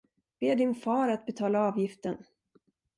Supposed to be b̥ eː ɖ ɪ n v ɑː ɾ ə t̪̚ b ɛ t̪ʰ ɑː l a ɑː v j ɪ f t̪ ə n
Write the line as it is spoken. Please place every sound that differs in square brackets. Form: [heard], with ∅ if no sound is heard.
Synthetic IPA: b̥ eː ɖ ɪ n [f] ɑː ɾ [a] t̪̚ b ɛ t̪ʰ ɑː l a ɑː v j ɪ f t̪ ə n